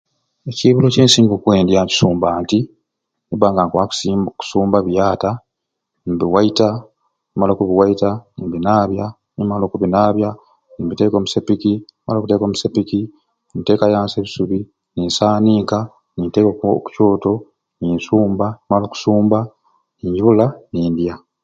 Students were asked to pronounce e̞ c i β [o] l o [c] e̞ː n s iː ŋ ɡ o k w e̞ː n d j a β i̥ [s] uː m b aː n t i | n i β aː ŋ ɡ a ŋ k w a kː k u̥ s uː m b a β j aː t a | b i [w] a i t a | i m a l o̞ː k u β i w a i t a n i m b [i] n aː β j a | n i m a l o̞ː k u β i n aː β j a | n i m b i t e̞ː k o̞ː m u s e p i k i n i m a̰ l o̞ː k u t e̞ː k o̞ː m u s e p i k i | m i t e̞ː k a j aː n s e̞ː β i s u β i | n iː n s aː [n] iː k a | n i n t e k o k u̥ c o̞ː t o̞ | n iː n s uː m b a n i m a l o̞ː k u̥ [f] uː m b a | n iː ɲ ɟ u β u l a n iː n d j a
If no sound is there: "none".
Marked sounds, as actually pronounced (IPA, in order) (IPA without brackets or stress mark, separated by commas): u, c, s, w, i, n, s